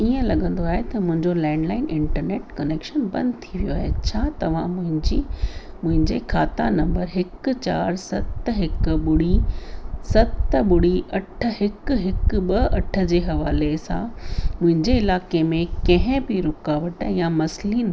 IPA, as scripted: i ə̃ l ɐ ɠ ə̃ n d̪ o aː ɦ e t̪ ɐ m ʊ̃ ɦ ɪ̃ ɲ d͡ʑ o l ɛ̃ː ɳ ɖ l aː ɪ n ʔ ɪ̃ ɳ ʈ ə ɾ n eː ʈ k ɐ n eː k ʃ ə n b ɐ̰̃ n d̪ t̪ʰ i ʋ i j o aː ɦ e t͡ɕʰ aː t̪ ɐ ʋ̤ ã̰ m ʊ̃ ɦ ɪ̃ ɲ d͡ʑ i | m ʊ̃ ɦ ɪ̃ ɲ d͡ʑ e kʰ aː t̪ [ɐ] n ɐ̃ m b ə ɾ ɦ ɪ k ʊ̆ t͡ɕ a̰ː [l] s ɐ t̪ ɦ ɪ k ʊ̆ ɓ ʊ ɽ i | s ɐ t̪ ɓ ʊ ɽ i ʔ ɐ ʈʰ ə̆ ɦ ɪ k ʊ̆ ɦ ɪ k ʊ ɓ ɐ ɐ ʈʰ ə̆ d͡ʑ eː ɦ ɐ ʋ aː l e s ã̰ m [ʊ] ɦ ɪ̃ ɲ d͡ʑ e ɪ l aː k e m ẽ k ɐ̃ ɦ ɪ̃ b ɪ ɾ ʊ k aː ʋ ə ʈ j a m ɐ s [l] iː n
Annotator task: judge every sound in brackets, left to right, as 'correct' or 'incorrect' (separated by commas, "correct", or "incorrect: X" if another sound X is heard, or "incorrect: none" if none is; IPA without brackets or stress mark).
incorrect: a, incorrect: ɾ, incorrect: ʊ̃, correct